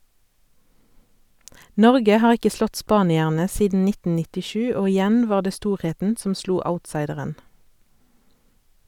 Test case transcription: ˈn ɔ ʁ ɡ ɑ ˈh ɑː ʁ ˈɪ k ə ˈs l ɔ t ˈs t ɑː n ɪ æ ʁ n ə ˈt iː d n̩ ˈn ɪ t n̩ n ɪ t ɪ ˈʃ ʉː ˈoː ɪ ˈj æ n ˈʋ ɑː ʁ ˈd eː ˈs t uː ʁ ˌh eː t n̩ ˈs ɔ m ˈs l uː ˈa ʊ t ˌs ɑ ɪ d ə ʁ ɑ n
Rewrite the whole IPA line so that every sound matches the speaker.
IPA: ˈn ɔ ʁ ɡ ə ˈh ɑː ʁ ˈɪ k ə ˈs l ɔ t ˈs p ɑː n ɪ æ ʁ n ə ˈs iː d n̩ ˈn ɪ t n̩ n ɪ t ɪ ˈʃ ʉː ˈoː ɪ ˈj æ n ˈʋ ɑː ʁ ˈd eː ˈs t uː ʁ ˌh eː t n̩ ˈs ɔ m ˈs l uː ˈa ʊ t ˌs ɑ ɪ d ə ʁ ə n